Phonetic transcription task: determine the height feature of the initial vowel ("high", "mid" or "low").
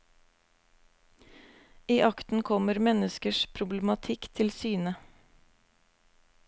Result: high